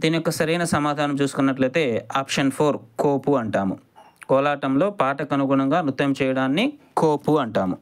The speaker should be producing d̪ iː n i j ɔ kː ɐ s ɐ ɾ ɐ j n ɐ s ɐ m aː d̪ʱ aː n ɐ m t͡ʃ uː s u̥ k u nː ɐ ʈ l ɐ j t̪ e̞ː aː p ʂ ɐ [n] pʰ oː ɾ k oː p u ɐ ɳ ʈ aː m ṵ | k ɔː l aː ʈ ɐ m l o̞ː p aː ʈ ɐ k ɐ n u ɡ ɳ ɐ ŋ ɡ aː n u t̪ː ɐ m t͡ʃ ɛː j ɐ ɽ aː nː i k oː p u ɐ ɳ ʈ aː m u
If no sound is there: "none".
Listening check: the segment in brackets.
n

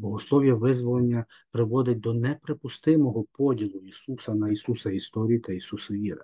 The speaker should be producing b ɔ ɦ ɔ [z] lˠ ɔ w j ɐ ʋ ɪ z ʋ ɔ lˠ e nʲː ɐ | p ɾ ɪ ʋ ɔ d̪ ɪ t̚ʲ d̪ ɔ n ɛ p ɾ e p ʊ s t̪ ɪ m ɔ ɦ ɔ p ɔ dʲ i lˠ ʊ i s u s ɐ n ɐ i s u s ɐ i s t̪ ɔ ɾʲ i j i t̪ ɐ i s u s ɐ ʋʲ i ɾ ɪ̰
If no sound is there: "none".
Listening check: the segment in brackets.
s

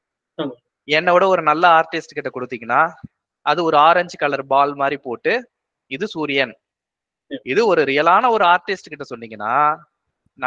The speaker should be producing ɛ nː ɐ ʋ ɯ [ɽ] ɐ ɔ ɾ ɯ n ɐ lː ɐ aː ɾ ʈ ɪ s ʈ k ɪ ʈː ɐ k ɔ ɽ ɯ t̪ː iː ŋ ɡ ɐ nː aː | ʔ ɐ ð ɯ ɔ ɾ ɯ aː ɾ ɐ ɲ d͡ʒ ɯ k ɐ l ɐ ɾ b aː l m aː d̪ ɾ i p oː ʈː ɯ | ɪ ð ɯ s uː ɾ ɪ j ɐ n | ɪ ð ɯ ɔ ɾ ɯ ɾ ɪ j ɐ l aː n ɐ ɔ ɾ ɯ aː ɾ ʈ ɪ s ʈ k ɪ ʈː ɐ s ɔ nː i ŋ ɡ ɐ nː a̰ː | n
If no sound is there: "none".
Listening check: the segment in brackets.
ɽ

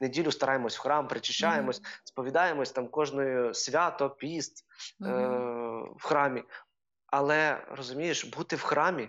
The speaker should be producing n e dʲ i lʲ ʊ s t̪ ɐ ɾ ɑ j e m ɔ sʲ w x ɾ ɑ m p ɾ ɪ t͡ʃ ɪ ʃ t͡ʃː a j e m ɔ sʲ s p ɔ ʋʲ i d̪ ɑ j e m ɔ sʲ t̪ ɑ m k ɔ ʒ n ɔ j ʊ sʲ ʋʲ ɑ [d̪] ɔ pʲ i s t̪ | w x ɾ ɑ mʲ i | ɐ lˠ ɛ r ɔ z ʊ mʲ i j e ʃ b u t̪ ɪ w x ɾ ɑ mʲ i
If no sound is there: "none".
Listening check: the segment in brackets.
t̪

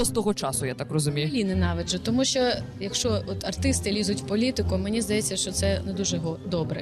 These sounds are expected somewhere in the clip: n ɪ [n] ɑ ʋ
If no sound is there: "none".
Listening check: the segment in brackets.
n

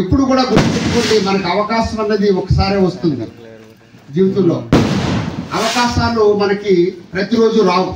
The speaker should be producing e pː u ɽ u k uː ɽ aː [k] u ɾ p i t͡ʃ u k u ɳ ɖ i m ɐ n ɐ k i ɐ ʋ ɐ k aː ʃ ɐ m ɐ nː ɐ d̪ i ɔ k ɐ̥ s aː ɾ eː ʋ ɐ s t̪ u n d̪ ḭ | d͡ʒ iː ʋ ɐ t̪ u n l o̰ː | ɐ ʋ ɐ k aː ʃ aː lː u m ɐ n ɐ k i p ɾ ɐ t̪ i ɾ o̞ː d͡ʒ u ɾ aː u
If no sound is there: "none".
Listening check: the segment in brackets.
ɡ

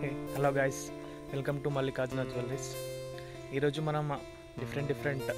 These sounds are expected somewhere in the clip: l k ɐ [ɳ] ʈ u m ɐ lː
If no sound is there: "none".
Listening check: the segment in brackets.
m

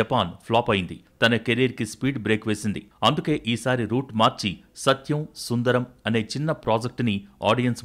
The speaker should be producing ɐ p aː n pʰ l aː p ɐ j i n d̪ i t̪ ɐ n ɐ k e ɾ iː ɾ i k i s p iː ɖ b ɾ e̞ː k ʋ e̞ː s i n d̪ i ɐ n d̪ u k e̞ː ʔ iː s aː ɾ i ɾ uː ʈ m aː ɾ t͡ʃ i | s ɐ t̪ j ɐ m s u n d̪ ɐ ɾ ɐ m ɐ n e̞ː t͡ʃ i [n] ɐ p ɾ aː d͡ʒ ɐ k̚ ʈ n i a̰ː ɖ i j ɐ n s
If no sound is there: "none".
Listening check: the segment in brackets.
nː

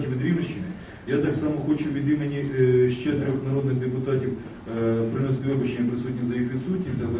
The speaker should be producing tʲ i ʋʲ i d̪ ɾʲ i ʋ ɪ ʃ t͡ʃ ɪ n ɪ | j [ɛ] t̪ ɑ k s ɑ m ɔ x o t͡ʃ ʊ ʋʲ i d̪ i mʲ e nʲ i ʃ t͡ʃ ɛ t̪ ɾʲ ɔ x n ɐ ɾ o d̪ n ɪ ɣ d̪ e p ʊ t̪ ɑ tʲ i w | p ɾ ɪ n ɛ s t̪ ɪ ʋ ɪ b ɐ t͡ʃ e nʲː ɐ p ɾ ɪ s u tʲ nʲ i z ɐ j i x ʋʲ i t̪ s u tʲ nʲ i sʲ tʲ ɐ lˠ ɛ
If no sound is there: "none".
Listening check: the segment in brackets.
a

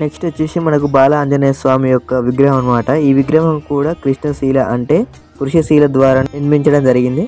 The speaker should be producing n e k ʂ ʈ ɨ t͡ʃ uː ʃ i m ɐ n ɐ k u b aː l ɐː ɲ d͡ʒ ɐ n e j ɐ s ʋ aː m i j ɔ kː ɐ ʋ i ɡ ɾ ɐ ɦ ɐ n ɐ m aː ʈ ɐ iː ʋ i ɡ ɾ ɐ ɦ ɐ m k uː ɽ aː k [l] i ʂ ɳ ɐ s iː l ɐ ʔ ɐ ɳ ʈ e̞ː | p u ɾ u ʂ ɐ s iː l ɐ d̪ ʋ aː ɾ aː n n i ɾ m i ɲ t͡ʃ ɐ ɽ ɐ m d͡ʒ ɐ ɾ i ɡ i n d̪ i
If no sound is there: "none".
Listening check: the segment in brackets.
ɾ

